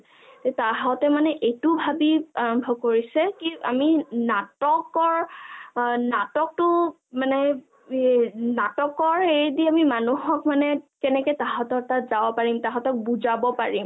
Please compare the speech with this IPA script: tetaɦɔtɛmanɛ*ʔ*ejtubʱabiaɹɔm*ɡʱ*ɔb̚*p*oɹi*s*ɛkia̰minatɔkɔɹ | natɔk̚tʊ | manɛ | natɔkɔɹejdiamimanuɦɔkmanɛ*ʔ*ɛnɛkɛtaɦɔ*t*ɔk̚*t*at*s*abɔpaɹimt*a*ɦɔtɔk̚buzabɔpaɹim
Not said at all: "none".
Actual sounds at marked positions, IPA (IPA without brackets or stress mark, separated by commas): ʔ, bʱ, k, s, k, t, t, z, a